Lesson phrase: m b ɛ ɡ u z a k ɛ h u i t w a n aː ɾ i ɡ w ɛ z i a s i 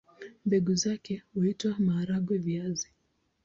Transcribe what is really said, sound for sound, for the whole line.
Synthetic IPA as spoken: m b ɛ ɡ u z a k ɛ h u i t w a m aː ɾ a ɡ w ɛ v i a z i

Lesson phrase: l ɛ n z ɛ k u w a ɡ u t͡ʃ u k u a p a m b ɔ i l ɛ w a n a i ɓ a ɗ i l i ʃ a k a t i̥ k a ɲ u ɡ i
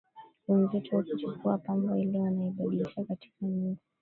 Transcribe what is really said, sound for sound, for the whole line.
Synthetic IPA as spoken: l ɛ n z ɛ t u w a k u t͡ʃ u k u a p a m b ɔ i l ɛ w a n a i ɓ a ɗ i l i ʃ a k a t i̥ k a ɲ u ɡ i

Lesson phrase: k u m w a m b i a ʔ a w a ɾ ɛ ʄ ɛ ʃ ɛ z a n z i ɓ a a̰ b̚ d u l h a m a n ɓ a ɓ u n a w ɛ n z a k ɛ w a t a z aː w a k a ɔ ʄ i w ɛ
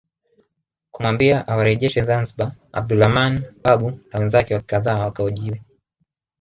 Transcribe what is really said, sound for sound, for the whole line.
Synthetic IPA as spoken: k u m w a m b i a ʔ a w a ɾ ɛ ʄ ɛ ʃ ɛ z a n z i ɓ a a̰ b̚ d u l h a m a n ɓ a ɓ u n a w ɛ n z a k ɛ w a k a ð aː w a k a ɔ ʄ i w ɛ

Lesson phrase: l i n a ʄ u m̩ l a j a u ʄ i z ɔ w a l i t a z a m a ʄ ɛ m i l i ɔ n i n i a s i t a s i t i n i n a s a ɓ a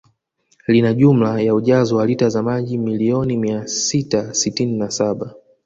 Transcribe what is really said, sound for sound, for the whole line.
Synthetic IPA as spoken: l i n a ʄ u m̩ l a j a u ʄ a z ɔ w a l i t a z a m a ʄ i m i l i ɔ n i m i a s i t a s i t i n i n a s a ɓ a

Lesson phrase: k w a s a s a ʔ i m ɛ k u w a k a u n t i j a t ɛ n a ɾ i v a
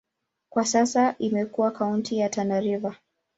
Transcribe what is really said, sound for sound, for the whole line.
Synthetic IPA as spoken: k w a s a s a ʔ i m ɛ k u w a k a u n t i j a t a n a ɾ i v a

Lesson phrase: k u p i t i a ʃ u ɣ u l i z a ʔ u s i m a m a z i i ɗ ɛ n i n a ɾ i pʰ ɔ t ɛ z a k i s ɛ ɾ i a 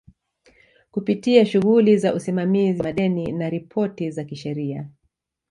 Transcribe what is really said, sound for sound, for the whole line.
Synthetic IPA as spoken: k u p i t i a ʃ u ɣ u l i z a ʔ u s i m a m i z i a ɗ ɛ n i n a ɾ i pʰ ɔ t i z a k i ʃ ɛ ɾ i a

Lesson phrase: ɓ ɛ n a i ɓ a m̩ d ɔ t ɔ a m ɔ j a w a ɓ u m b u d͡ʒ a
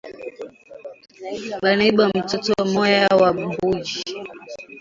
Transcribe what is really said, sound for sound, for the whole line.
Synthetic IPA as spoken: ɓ a n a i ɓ a m̩ t ɔ t ɔ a m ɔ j a w a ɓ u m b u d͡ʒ i

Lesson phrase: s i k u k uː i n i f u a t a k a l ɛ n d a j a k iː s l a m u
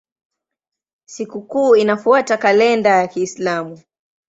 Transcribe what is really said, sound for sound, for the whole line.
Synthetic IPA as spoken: s i k u k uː i n a f u a t a k a l ɛ n d a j a k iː s l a m u

